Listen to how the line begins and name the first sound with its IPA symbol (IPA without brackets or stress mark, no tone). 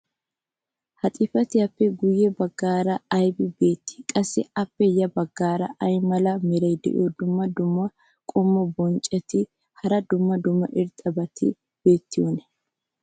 h